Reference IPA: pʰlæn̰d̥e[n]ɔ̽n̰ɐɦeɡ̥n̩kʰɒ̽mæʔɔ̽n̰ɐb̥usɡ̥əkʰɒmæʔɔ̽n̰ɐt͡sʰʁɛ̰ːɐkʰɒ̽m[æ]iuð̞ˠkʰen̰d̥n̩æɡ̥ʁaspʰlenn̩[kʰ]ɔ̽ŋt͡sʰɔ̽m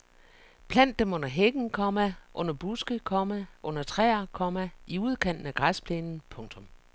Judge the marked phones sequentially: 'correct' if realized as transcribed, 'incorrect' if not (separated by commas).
incorrect, correct, incorrect